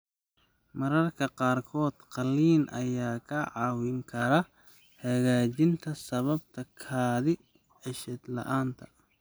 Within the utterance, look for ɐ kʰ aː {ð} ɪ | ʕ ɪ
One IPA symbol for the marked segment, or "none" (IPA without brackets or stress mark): ð